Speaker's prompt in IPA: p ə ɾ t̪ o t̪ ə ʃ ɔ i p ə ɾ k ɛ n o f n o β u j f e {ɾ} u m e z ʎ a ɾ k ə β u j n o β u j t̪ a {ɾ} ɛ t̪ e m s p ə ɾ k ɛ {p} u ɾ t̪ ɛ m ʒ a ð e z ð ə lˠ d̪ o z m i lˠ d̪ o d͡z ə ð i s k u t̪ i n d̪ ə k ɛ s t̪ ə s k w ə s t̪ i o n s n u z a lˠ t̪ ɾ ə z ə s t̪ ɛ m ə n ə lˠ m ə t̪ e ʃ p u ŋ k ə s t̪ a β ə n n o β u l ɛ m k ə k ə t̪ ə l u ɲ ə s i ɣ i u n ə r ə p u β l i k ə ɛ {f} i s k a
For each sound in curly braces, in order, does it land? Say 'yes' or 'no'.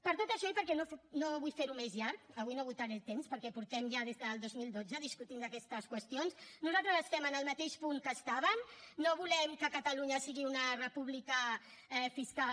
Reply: yes, yes, yes, yes

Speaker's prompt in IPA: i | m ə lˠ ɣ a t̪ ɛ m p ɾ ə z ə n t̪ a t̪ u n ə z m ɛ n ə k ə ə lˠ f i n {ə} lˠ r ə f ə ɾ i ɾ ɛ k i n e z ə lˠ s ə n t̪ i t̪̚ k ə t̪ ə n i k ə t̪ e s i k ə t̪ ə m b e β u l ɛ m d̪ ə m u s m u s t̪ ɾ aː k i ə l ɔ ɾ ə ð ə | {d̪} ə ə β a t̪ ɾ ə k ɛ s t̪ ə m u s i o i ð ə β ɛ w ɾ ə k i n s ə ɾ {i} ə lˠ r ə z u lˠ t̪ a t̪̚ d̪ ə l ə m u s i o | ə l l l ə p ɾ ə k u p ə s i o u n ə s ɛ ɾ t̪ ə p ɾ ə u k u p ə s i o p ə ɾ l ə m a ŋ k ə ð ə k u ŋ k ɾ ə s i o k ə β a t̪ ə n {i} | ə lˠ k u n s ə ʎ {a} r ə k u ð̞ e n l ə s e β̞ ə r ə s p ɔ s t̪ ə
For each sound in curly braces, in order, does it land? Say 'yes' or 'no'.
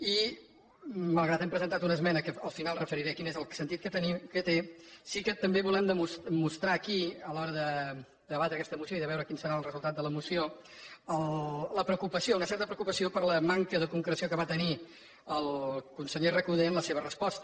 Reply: no, yes, no, yes, no

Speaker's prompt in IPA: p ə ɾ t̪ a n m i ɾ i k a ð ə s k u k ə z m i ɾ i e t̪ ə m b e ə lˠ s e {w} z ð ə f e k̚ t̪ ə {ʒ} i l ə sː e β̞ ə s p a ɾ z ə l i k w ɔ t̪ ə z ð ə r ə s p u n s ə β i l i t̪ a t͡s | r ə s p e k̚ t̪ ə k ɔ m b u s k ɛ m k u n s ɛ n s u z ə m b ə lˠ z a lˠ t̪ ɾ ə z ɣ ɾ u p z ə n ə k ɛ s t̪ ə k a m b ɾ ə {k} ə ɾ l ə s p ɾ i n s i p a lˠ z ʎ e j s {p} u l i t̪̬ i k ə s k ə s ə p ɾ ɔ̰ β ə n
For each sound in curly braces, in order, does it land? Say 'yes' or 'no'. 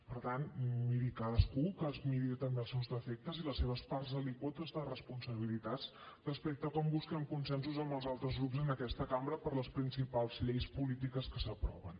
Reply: yes, no, no, yes

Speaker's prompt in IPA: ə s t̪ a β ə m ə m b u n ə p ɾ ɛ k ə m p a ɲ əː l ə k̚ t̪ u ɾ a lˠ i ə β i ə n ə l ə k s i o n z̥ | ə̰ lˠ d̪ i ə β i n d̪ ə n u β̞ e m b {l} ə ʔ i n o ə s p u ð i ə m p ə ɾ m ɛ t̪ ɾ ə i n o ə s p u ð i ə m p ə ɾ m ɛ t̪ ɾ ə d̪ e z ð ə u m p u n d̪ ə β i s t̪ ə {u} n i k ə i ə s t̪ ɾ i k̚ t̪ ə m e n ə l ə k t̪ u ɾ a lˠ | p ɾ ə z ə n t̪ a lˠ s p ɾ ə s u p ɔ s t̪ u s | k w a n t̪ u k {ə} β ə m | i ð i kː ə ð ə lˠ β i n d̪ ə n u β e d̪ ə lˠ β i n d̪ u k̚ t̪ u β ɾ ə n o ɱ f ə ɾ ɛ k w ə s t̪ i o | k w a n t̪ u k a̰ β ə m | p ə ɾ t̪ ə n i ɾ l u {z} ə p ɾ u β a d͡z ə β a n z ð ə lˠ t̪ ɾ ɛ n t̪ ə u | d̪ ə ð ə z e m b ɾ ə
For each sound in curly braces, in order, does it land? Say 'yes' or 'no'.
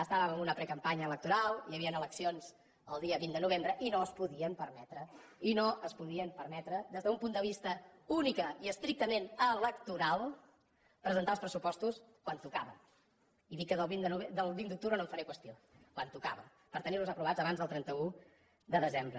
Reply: no, yes, no, yes

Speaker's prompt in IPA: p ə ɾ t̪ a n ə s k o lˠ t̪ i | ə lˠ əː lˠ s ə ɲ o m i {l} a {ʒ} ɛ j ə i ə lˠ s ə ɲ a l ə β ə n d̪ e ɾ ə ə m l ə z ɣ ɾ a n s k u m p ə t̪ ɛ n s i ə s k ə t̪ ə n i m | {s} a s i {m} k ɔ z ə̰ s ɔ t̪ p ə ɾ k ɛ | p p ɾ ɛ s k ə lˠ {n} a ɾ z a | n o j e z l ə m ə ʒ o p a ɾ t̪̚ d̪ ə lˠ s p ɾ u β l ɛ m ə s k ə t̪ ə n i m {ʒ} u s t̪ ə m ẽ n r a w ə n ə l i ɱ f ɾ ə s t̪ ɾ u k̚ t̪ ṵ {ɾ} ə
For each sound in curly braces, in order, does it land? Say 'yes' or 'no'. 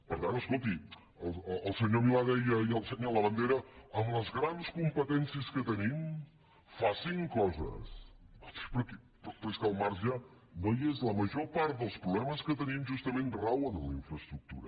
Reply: yes, no, no, no, no, yes, yes

